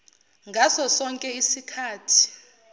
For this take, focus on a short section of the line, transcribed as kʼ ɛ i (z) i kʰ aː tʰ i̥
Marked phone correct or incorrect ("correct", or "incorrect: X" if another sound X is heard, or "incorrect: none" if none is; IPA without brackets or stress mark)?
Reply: incorrect: s